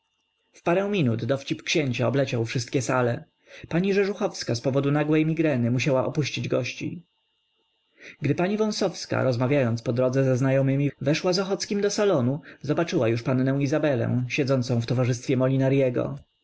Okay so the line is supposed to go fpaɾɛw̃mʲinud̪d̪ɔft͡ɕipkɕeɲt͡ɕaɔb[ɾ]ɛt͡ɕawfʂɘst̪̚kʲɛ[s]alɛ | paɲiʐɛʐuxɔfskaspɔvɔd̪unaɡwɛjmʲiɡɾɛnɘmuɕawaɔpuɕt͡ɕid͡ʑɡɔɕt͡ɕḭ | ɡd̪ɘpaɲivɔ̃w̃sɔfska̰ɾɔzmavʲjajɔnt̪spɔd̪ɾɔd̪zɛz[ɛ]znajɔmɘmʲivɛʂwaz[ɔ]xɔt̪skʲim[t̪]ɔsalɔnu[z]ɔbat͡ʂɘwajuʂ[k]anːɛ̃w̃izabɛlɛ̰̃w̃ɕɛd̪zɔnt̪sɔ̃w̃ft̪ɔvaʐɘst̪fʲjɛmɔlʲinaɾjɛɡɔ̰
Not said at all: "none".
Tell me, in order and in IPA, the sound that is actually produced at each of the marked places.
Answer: l, s, ɛ, ɔ, d̪, z, p

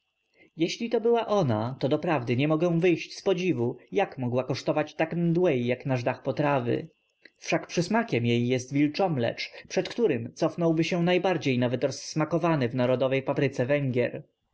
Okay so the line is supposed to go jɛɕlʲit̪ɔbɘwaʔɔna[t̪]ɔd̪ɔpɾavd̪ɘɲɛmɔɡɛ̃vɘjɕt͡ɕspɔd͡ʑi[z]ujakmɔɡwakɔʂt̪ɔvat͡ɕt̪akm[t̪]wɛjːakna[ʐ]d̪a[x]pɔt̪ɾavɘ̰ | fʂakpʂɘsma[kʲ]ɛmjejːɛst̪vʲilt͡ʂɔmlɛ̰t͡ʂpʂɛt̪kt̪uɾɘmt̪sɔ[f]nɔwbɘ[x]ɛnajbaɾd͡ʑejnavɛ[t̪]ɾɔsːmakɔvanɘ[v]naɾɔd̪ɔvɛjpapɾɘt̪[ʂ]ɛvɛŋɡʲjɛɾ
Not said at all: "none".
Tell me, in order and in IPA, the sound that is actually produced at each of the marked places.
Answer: t̪, v, d̪, ʐ, x, kʲ, f, ɕ, t̪, v, s

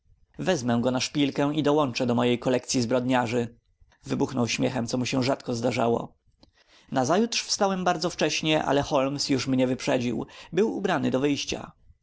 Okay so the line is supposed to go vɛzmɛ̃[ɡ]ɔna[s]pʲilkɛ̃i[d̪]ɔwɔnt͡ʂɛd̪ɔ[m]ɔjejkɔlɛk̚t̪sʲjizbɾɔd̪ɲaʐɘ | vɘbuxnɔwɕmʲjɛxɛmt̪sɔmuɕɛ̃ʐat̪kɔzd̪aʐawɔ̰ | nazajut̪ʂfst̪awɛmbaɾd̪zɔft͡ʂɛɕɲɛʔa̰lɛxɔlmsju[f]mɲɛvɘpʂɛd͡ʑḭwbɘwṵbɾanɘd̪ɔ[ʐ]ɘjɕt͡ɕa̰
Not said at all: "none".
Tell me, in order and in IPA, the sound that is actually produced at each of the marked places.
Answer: ɡ, ʂ, d̪, m, ʂ, v

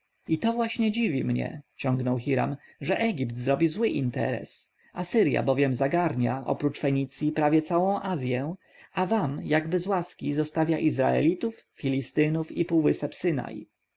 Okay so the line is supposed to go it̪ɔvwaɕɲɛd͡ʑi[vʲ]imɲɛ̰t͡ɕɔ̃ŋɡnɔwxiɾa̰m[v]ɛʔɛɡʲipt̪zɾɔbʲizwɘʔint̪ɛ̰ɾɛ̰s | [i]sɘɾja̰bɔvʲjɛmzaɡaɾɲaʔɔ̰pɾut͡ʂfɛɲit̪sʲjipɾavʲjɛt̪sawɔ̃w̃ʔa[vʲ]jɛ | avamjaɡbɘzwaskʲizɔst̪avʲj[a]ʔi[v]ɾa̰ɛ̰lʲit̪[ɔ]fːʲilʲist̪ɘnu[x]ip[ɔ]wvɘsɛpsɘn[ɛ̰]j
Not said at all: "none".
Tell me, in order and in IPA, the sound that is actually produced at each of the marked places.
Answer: vʲ, ʐ, a, zʲ, a, z, u, f, u, a̰

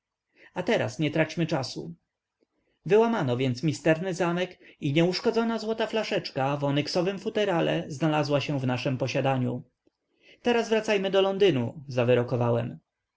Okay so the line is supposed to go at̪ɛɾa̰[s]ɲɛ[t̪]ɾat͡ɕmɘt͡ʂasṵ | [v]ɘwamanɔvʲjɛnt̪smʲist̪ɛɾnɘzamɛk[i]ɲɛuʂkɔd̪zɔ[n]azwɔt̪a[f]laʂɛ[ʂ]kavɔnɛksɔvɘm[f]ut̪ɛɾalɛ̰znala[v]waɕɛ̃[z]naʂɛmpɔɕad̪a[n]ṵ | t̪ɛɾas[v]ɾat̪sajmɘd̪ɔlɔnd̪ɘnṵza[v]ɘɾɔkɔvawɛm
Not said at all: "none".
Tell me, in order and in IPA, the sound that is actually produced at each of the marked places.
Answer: s, t̪, v, i, n, f, t͡ʂ, f, z, v, ɲ, v, v

